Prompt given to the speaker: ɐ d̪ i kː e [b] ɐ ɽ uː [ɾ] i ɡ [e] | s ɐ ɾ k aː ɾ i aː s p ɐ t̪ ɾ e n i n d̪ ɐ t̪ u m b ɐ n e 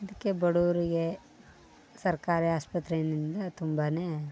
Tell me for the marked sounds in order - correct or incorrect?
correct, correct, correct

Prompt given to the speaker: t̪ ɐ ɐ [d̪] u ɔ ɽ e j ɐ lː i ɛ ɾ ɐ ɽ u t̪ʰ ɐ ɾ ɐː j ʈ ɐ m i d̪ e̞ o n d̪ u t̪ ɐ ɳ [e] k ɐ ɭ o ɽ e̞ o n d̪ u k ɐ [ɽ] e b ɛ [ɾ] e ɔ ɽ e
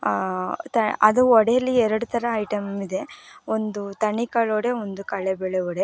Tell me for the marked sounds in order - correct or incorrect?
correct, incorrect, incorrect, incorrect

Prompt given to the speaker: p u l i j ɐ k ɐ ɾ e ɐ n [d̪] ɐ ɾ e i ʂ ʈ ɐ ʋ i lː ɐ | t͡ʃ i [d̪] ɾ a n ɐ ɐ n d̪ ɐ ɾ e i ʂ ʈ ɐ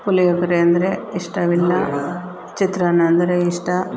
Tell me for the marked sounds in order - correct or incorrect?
correct, incorrect

